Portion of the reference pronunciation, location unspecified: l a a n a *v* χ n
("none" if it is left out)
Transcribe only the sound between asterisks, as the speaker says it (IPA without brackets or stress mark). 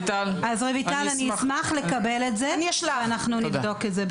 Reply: none